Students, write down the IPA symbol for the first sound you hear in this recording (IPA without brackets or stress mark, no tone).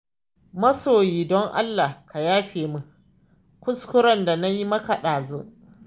m